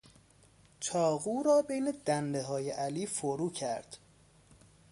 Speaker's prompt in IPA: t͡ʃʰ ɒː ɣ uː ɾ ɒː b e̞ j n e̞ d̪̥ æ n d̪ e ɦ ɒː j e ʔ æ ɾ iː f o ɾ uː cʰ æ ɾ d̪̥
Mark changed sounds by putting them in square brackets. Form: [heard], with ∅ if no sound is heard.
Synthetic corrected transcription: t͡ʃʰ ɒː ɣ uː ɾ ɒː b e̞ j n e̞ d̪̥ æ n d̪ e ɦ ɒː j e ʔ æ [l] iː f o ɾ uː cʰ æ ɾ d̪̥